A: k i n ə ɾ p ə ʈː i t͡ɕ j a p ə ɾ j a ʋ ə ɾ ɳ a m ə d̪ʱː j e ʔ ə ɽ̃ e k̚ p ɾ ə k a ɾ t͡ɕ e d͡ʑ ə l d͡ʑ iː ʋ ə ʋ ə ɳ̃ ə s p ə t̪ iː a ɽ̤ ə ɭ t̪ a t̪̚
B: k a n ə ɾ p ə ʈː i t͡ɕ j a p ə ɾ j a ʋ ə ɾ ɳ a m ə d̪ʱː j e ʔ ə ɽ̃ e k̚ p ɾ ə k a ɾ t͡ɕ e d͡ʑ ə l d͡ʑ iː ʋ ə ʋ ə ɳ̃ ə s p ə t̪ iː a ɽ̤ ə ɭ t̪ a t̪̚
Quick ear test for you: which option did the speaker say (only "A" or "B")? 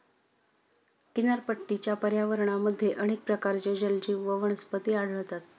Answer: A